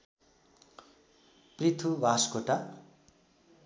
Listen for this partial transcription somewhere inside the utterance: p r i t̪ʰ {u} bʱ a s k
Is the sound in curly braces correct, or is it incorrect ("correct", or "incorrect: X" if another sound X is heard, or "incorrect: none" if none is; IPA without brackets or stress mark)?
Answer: correct